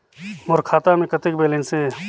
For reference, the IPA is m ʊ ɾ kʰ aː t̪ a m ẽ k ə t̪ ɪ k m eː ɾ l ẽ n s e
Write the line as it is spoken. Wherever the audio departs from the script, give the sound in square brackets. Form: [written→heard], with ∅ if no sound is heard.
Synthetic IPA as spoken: m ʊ ɾ kʰ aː t̪ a m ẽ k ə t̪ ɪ k [m→b] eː [ɾ→∅] l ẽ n s e